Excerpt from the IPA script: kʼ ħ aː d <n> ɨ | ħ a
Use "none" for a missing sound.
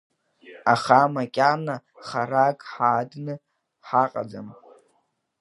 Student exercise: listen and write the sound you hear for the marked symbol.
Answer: n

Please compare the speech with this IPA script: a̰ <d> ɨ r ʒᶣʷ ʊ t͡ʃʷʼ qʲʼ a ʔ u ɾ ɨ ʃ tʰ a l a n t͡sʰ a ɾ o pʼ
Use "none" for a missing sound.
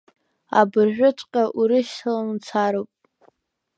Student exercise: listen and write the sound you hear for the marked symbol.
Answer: b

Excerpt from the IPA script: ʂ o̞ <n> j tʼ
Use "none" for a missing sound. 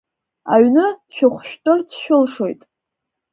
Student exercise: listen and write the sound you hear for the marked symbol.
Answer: none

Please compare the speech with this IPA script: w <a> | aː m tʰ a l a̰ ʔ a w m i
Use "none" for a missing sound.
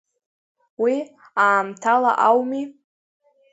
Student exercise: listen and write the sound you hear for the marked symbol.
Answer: i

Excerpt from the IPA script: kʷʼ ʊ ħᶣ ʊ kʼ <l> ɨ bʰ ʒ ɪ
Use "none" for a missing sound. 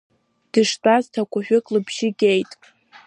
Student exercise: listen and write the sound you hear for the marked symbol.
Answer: l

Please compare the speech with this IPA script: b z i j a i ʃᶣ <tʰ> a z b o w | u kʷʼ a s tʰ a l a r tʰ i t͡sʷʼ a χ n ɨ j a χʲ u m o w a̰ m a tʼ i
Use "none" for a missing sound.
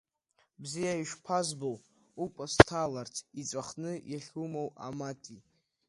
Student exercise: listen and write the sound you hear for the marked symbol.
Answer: pʰ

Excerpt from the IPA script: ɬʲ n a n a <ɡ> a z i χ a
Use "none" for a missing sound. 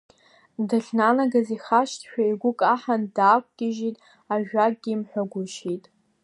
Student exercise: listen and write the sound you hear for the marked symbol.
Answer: ɡ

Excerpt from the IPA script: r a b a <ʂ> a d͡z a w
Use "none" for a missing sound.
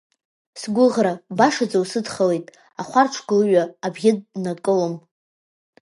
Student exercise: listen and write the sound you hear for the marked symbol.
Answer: ʂ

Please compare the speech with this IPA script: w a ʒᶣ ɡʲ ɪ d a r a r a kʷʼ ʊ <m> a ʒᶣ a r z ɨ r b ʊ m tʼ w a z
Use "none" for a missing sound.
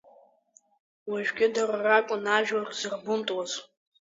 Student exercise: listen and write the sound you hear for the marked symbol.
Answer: n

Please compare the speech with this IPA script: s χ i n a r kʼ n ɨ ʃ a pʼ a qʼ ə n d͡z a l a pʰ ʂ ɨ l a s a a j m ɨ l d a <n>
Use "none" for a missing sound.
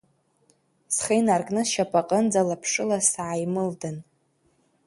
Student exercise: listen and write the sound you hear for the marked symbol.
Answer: n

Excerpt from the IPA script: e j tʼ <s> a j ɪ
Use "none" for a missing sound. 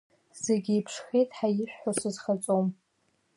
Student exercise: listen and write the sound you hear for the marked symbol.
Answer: ħ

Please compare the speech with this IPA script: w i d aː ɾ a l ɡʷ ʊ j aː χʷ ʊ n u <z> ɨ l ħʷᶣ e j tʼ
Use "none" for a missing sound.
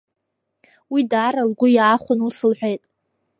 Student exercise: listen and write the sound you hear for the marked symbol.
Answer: s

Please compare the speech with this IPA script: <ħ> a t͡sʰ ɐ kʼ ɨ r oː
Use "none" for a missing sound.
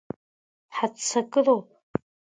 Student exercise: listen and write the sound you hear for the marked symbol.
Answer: ħ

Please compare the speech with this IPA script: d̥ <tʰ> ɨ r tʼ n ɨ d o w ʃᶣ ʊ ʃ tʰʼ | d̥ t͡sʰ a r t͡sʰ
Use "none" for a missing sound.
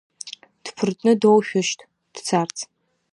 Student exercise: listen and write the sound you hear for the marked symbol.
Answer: pʰ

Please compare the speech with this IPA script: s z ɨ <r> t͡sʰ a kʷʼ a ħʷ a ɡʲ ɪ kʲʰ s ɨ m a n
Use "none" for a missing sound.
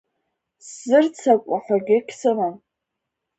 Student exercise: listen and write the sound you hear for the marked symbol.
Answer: r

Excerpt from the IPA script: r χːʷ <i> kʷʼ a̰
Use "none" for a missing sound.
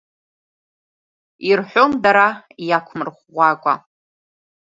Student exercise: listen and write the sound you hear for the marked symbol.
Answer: a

